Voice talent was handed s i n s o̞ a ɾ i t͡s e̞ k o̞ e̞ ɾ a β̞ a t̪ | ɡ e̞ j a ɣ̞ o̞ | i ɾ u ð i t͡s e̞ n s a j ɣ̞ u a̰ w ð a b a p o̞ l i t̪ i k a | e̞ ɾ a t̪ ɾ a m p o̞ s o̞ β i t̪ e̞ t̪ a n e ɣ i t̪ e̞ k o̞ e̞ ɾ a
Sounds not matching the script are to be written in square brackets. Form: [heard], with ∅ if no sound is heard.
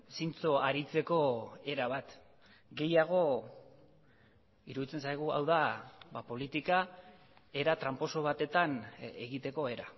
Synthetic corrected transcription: s i n [t͡s] o̞ a ɾ i t͡s e̞ k o̞ e̞ ɾ a β̞ a t̪ | ɡ e̞ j a ɣ̞ o̞ | i ɾ u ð i t͡s e̞ n s a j ɣ̞ u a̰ w ð a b a p o̞ l i t̪ i k a | e̞ ɾ a t̪ ɾ a m p o̞ s o̞ β [a] t̪ e̞ t̪ a n e ɣ i t̪ e̞ k o̞ e̞ ɾ a